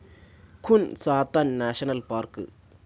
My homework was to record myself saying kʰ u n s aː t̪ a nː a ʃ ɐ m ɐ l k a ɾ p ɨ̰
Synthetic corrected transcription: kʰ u n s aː t̪ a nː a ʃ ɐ n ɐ l p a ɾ k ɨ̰